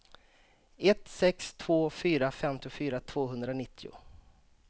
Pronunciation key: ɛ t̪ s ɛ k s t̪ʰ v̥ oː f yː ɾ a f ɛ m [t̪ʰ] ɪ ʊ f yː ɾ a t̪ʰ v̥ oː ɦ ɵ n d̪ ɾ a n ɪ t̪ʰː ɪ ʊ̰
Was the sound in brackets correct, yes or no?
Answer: no